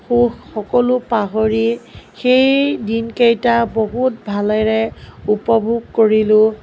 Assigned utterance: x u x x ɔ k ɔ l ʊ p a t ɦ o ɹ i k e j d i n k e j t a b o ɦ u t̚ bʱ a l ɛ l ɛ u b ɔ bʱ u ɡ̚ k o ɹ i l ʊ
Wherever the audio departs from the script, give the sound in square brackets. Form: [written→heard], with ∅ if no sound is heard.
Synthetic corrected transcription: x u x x ɔ k ɔ l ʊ p a [t→∅] ɦ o ɹ i [k→x] e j d i n k e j t a b o ɦ u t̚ bʱ a l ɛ [l→ɹ] ɛ u [b→p] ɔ bʱ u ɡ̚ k o ɹ i l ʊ

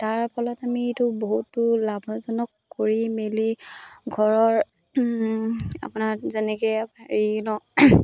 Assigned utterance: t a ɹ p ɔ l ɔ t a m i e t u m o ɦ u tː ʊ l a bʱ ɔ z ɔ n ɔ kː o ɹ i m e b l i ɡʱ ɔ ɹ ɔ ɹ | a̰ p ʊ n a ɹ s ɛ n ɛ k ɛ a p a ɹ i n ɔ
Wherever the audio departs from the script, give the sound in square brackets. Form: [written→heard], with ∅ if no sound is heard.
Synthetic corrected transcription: t a ɹ p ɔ l ɔ t a m i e t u [m→b] o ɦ u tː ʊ l a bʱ ɔ z ɔ n ɔ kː o ɹ i m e [b→∅] l i ɡʱ ɔ ɹ ɔ ɹ | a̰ p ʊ n a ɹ [s→z] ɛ n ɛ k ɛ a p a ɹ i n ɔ

